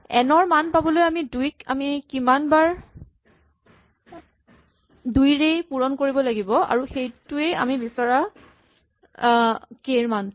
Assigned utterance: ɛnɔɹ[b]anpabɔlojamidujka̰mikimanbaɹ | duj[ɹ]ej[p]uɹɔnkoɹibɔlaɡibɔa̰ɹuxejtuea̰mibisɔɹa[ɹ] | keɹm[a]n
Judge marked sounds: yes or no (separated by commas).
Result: no, yes, yes, no, yes